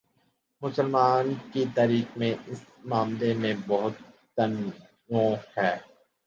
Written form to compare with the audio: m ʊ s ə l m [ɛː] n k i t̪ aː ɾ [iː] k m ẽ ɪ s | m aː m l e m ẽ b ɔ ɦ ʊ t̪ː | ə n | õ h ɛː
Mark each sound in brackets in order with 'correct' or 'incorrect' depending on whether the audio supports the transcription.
incorrect, correct

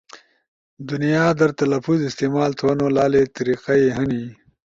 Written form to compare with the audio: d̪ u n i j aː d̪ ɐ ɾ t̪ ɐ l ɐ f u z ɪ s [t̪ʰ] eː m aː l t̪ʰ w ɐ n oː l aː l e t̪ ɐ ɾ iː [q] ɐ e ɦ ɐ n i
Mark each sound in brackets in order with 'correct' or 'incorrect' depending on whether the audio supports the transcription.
incorrect, correct

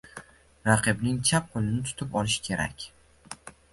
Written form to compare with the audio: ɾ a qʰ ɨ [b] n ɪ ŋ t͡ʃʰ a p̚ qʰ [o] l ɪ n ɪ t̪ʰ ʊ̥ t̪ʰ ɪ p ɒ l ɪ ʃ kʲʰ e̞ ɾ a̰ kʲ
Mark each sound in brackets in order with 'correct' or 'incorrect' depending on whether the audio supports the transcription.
correct, correct

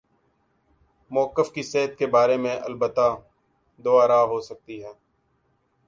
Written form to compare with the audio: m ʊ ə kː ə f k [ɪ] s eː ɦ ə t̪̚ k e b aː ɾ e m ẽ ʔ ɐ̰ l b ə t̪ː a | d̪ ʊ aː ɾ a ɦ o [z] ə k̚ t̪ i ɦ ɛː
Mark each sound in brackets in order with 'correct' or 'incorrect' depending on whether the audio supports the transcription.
incorrect, incorrect

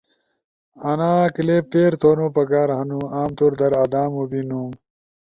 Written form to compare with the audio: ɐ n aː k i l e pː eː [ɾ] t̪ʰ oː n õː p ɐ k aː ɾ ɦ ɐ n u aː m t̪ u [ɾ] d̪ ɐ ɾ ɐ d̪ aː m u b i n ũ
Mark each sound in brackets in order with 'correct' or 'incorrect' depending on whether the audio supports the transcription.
correct, correct

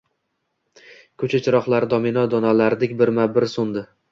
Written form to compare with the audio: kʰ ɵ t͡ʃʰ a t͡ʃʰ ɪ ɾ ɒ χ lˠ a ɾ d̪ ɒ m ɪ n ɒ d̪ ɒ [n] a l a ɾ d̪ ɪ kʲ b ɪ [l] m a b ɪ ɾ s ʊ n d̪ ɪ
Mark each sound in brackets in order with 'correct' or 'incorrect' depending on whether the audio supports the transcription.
correct, incorrect

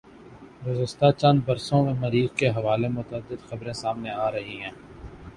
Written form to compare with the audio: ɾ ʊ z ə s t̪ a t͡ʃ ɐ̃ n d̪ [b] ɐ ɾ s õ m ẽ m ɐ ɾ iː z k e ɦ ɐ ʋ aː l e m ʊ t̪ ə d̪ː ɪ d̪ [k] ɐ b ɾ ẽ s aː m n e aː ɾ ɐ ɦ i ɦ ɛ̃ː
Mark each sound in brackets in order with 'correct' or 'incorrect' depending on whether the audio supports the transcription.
correct, incorrect

